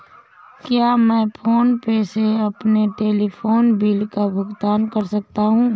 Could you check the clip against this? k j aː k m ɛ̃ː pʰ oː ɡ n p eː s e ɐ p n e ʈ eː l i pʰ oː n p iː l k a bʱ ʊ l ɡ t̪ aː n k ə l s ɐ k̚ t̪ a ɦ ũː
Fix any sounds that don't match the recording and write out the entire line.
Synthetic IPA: k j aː m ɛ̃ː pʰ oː n p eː s e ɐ p n e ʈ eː l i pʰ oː n b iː l k a bʱ ʊ ɡ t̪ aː n k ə ɾ s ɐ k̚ t̪ a ɦ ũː